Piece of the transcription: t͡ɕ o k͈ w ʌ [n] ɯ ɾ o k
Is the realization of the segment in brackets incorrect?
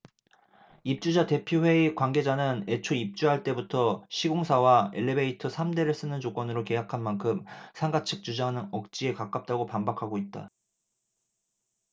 no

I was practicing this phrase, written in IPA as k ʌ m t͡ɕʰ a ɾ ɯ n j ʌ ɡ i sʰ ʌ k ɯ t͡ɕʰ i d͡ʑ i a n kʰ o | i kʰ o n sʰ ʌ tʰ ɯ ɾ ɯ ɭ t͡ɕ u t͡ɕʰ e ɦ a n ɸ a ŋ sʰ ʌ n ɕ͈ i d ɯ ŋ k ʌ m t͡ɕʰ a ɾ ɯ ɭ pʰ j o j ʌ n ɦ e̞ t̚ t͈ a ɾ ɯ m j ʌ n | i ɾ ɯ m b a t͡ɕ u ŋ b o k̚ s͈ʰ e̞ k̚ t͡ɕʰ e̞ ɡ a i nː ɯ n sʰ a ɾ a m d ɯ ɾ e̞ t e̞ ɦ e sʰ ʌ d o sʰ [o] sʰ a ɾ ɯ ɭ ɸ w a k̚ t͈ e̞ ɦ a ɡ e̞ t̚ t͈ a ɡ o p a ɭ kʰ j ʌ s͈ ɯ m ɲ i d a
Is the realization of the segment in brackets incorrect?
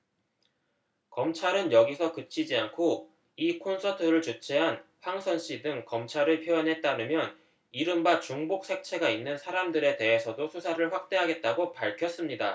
yes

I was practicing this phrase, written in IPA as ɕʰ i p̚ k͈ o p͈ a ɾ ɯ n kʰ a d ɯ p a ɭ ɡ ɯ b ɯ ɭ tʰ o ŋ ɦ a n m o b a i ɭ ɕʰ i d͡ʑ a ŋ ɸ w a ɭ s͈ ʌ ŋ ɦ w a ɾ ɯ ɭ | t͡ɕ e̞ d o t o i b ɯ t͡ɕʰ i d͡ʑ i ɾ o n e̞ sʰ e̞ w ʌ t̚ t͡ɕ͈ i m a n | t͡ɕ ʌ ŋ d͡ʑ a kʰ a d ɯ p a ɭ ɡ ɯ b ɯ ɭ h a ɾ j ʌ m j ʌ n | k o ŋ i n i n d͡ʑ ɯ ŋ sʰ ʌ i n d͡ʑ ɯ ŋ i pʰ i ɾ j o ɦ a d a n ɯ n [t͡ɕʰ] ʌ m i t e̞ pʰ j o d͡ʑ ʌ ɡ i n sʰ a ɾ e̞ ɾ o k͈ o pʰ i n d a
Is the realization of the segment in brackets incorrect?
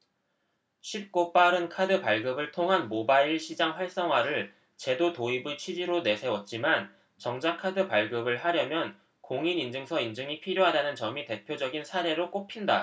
yes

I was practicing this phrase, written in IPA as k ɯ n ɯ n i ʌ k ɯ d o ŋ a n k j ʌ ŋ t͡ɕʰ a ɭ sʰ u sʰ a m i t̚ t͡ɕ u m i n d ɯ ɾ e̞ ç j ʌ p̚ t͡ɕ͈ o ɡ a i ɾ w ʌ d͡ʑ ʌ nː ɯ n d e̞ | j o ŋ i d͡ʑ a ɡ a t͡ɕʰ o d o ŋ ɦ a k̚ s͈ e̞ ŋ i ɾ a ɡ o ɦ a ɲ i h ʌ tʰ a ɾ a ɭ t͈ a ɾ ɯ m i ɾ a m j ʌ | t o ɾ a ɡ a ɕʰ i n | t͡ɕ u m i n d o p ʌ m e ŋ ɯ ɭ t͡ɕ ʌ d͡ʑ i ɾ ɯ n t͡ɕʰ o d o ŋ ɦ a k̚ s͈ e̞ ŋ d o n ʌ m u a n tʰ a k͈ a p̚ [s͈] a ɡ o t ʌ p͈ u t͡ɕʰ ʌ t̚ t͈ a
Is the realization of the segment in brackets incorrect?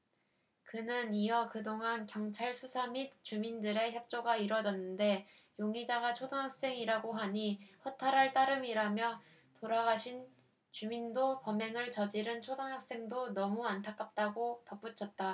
yes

